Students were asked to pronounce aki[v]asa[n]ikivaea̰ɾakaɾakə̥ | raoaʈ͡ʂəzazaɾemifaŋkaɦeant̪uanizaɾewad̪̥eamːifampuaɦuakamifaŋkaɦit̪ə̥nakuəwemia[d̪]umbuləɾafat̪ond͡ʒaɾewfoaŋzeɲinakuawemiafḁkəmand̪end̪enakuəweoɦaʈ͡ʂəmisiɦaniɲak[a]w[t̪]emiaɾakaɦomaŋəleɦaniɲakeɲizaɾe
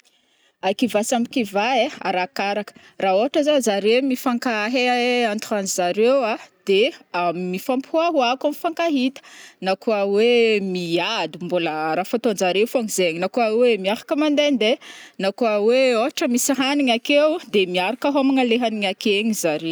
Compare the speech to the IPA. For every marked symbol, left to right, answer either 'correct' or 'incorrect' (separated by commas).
correct, incorrect, correct, incorrect, incorrect